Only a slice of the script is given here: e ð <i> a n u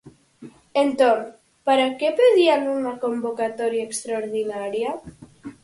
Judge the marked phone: correct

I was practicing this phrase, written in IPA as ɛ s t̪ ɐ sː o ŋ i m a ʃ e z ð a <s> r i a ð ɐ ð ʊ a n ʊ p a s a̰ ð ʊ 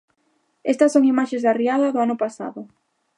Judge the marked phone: incorrect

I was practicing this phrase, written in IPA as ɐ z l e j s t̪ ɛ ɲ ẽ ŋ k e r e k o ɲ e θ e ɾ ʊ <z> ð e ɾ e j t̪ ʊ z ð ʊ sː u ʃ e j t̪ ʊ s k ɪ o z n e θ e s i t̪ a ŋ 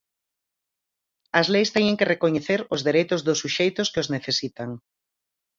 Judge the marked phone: correct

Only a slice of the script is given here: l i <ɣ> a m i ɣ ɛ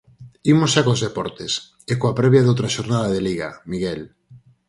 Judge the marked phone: correct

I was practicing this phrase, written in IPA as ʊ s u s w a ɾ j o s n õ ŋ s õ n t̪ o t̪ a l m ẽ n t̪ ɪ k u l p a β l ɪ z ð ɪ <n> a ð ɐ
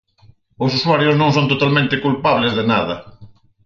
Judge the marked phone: correct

